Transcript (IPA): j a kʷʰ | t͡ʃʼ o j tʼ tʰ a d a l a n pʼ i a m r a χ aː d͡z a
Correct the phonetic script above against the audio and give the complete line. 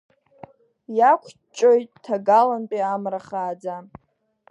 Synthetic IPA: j a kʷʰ | t͡ʃʼ o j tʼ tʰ a ɡ a l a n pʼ i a m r a χ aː d͡z a